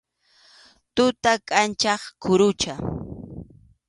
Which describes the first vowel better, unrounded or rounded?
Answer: rounded